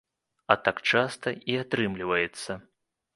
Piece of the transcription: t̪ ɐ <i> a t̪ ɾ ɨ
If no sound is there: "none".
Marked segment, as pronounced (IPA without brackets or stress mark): i